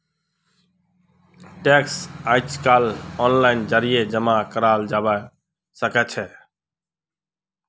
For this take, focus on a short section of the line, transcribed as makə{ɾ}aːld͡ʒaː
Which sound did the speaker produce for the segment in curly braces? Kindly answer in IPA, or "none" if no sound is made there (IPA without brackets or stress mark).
ɾ